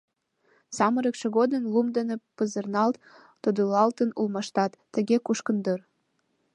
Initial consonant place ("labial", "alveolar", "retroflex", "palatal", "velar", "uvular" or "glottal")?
alveolar